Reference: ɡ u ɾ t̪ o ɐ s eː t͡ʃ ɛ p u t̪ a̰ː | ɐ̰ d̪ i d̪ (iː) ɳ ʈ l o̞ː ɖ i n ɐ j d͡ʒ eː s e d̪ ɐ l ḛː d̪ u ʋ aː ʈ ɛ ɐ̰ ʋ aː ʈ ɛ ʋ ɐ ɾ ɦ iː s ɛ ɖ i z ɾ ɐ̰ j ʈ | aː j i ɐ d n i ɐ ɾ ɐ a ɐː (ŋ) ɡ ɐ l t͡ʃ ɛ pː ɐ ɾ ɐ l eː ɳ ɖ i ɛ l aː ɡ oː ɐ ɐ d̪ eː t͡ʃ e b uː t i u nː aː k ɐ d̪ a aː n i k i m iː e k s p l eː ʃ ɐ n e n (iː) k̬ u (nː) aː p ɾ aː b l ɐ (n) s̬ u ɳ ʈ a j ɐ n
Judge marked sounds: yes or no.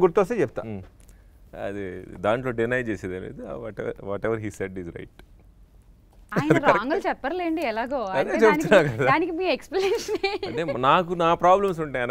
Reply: no, yes, no, no, no

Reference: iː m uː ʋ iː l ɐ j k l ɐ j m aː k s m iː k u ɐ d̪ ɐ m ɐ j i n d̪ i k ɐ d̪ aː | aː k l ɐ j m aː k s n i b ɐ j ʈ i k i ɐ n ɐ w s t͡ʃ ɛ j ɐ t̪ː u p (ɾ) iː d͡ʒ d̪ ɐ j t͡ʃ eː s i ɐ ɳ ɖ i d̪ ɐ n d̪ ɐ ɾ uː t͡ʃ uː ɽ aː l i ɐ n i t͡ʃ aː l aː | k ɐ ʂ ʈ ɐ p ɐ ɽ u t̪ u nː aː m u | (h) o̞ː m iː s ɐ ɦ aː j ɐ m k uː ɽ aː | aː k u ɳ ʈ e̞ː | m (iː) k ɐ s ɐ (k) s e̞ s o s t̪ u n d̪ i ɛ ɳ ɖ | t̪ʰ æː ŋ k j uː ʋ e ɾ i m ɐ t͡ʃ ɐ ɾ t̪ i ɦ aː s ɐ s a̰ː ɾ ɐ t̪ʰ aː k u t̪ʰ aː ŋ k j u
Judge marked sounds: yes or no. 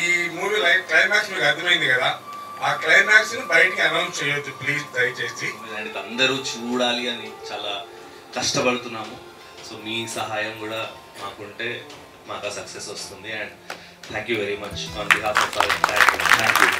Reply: no, no, no, yes

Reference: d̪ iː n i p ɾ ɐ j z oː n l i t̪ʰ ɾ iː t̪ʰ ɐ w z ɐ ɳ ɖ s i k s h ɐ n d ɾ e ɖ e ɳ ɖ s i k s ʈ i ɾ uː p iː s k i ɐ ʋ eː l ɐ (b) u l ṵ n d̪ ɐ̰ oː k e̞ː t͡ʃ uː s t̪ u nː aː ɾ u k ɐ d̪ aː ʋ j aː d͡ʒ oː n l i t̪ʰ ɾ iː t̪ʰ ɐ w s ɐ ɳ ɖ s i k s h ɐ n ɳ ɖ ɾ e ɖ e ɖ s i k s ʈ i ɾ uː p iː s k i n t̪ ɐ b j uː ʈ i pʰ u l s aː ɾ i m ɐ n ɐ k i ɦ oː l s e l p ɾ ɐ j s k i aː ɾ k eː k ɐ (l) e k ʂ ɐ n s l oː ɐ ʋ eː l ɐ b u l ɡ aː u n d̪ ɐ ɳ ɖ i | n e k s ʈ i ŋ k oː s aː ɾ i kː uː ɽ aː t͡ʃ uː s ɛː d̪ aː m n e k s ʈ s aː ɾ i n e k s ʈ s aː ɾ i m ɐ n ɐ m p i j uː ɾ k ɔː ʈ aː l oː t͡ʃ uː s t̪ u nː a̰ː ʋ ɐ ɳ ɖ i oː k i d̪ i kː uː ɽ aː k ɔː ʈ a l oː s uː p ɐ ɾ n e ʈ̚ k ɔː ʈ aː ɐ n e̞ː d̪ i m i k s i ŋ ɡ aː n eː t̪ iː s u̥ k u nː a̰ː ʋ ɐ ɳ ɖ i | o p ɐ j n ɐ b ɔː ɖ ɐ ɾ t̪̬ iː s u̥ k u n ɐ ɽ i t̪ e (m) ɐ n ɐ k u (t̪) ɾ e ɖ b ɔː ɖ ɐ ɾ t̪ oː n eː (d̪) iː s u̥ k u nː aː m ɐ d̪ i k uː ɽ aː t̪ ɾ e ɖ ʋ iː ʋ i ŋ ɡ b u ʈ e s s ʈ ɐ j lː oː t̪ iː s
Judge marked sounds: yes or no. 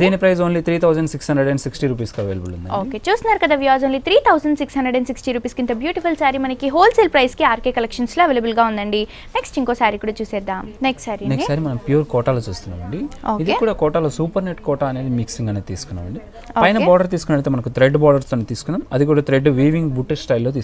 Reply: yes, yes, yes, yes, no

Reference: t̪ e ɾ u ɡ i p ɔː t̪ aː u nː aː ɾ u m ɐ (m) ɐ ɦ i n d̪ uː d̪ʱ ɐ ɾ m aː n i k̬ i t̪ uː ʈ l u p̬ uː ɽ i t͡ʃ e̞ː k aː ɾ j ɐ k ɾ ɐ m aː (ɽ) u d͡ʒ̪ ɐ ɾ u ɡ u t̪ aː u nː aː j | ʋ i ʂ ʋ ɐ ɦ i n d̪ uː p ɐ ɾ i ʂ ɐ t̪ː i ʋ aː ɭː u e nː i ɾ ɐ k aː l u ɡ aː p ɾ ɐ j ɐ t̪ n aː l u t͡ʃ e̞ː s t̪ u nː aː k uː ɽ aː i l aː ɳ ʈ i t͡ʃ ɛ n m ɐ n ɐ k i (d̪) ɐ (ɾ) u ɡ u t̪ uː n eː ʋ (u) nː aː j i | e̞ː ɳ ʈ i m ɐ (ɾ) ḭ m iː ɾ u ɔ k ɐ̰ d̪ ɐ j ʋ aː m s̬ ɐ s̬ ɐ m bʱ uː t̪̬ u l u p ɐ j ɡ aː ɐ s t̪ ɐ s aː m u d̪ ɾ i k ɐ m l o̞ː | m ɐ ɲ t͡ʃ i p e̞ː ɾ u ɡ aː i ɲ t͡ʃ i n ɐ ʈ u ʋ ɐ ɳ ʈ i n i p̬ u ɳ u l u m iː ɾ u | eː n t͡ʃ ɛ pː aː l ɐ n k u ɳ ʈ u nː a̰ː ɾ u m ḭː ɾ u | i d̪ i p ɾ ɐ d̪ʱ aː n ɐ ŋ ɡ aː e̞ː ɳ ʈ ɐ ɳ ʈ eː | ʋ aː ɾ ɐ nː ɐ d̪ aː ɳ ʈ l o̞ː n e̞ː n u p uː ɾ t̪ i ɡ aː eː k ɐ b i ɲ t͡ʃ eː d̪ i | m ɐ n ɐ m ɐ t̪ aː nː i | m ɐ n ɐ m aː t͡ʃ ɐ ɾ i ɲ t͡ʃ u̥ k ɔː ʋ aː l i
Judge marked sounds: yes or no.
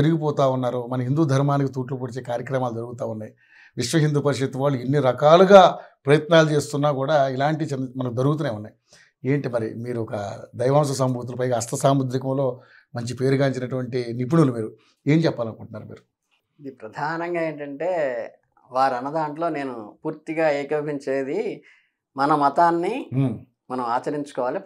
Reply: no, no, yes, yes, yes, yes

